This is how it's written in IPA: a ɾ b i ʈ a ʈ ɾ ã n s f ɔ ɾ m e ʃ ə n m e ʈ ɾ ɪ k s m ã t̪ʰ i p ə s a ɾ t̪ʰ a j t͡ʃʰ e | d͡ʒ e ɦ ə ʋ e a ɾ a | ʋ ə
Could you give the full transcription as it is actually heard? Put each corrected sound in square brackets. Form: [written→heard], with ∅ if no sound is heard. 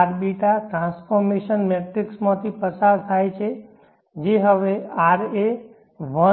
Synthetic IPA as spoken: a ɾ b i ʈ a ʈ ɾ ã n s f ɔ ɾ m e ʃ ə n m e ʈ ɾ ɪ k s m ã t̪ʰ i p ə s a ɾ t̪ʰ a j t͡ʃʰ e | d͡ʒ e ɦ ə ʋ e a ɾ [a→e] | ʋ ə